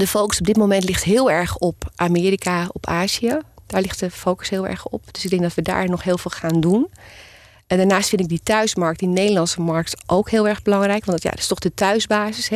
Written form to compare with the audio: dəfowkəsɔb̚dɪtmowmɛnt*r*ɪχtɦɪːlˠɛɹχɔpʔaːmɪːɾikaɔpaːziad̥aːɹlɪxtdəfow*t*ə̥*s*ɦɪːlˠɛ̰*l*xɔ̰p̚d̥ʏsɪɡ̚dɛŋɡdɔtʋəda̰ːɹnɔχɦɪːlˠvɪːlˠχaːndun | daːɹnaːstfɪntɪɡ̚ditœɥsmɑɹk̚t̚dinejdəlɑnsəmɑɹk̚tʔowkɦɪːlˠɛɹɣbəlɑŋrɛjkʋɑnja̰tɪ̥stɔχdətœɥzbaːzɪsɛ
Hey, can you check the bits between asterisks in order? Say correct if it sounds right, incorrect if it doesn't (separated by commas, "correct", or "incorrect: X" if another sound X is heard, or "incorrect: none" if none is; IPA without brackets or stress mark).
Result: incorrect: l, incorrect: k, correct, incorrect: ɹ